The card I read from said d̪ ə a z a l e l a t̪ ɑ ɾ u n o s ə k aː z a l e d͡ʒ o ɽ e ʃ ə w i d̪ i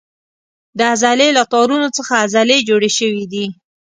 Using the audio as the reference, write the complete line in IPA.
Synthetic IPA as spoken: d̪ ə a z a l e l a t̪ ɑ ɾ u n o t͡s ə x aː z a l e d͡ʒ o ɽ e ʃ ə w i d̪ i